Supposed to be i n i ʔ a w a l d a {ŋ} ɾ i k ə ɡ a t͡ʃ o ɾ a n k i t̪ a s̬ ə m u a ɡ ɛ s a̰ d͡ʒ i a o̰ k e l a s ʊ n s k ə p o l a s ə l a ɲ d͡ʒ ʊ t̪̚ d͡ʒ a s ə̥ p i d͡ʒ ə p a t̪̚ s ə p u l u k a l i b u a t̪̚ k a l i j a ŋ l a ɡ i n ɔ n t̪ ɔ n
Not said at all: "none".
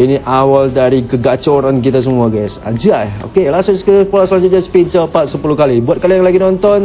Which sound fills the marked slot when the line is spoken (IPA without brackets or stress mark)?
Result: none